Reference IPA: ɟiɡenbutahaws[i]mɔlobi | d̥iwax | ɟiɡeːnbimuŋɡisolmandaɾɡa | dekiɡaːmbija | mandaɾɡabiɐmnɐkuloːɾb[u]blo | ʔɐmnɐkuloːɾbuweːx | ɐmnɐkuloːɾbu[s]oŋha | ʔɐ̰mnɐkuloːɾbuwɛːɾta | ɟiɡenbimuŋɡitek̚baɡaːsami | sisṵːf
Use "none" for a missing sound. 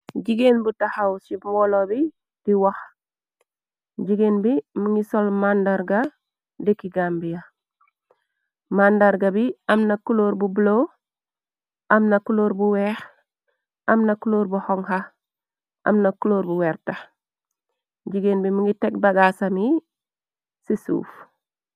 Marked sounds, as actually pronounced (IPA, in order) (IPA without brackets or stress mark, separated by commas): i, u, h